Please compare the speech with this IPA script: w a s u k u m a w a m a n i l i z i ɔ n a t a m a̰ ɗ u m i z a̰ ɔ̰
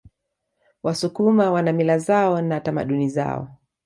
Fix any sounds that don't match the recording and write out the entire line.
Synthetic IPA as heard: w a s u k u m a w a n a m i l a z a ɔ n a t a m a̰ ɗ u n i z a̰ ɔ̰